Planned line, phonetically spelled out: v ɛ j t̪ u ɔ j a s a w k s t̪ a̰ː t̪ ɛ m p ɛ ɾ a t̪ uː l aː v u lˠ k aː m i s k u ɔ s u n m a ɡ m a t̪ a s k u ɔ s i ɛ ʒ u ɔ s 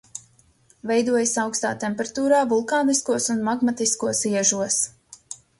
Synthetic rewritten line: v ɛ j d̪ u ɔ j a s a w k s t̪ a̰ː t̪ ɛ m p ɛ ɾ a t̪ uː ɾ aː v u lˠ k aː n i s k u ɔ s u n m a ɡ m a t̪ i s k u ɔ s i ɛ ʒ u ɔ s